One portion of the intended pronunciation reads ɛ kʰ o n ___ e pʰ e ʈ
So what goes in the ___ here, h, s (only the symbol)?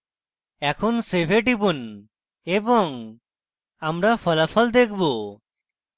s